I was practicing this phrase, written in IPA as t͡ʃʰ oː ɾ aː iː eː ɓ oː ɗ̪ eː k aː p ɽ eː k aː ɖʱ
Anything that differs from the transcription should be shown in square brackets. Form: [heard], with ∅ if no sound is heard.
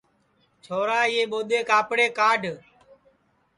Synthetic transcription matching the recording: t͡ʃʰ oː ɾ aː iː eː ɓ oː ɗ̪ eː k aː p ɽ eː k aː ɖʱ